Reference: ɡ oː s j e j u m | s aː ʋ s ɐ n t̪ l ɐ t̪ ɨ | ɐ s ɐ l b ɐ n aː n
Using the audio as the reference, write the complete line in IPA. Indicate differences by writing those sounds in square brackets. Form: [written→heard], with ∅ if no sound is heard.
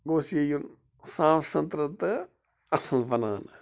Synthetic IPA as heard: ɡ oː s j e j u [m→n] | s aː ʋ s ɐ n t̪ [l→ɾ] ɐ t̪ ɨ | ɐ s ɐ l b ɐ n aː n